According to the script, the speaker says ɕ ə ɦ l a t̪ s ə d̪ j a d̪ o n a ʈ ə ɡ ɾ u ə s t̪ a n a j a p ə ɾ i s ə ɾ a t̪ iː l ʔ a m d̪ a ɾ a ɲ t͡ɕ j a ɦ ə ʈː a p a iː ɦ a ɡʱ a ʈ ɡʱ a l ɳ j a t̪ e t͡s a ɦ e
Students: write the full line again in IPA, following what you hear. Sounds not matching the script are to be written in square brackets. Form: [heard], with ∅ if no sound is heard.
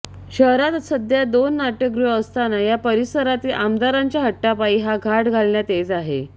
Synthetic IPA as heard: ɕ ə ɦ [ɾ] a t̪ s ə d̪ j a d̪ o [nː] a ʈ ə ɡ ɾ u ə s t̪ a n a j a p ə ɾ i s ə ɾ a t̪ iː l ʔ a m d̪ a ɾ a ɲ t͡ɕ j a ɦ ə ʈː a p a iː ɦ a ɡʱ a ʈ ɡʱ a l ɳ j a t̪ e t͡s a ɦ e

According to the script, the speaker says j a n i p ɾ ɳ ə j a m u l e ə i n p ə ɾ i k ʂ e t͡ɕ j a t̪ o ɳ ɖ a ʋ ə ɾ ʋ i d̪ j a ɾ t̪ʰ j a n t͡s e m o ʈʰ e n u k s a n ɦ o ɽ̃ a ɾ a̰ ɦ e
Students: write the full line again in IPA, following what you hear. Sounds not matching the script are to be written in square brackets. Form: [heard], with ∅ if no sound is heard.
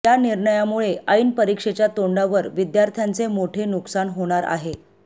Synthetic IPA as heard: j a n i [∅] ɾ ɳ ə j a m u [ɭ] e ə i n p ə ɾ i k ʂ e t͡ɕ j a t̪ o ɳ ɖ a ʋ ə ɾ ʋ i d̪ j a ɾ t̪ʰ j a n t͡s e m o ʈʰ e n u k s a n ɦ o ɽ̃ a ɾ a̰ ɦ e

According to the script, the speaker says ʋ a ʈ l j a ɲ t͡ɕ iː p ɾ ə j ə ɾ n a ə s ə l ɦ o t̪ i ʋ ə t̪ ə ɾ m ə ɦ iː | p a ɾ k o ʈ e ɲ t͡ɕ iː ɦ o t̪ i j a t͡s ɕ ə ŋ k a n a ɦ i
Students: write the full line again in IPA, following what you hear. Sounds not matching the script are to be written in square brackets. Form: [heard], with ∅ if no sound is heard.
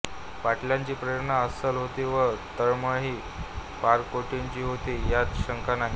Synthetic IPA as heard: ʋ a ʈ l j a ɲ t͡ɕ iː p ɾ ə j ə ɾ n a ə s ə l ɦ o t̪ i ʋ ə t̪ ə ɾ m ə ɦ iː | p a ɾ k o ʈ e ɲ t͡ɕ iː ɦ o t̪ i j a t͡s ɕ ə ŋ k a n a ɦ i

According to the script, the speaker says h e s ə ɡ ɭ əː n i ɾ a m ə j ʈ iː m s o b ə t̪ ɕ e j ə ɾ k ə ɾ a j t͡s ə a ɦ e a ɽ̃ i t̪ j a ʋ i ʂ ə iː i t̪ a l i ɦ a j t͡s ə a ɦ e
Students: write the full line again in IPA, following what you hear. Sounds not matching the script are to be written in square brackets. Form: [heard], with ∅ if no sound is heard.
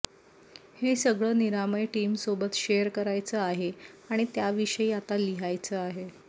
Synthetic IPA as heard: h e s ə ɡ ɭ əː n i ɾ a m ə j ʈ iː m s o b ə t̪ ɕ e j ə ɾ k ə ɾ a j t͡s ə a ɦ e a ɽ̃ i t̪ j a ʋ i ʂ ə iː [a] t̪ a l i ɦ a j t͡s ə a ɦ e

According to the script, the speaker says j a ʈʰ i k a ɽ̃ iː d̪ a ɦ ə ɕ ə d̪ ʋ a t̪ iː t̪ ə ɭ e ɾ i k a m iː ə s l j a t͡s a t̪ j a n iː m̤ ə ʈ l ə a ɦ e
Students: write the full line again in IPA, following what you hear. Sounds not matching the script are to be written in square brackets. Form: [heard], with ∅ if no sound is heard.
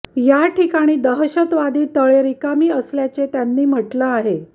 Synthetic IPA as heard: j a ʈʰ i k a ɽ̃ iː d̪ [ə] ɦ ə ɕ ə [t̪] ʋ a [d̪] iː t̪ ə ɭ e ɾ i k a m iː ə s l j a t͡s [e] t̪ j a [nː] iː m̤ ə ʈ l ə a ɦ e

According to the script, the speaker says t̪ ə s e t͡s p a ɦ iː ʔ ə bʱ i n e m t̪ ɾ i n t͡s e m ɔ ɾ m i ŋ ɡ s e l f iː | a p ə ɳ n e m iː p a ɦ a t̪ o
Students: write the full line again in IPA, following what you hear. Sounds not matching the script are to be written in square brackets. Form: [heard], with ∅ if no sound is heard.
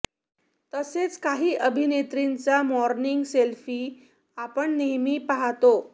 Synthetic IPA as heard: t̪ ə s e t͡s [k] a ɦ iː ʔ ə bʱ i n e [∅] t̪ ɾ i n t͡s [a] m ɔ ɾ [n] i ŋ ɡ s e l f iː | a p ə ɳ n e m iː p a ɦ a t̪ o

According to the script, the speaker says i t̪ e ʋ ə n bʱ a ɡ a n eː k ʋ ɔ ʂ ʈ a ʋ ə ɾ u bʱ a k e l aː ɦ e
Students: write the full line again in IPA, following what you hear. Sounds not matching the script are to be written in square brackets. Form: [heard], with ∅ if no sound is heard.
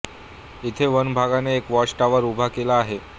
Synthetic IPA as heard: i [t̪ʰ] e ʋ ə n bʱ a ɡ a n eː k ʋ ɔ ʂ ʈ a ʋ ə ɾ u bʱ a k e l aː ɦ e

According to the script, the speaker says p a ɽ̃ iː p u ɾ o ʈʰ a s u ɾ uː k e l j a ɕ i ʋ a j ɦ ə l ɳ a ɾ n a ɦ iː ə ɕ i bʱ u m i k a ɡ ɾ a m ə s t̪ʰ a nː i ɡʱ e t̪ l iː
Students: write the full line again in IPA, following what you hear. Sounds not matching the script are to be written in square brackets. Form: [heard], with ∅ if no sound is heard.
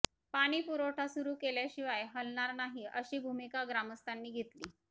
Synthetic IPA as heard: p a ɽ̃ iː p u ɾ o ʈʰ a s u ɾ uː k e l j a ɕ i ʋ a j ɦ ə l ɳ a ɾ n a ɦ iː ə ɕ [iː] bʱ u m i k a ɡ ɾ a m ə s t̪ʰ a nː [iː] ɡʱ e t̪ l iː

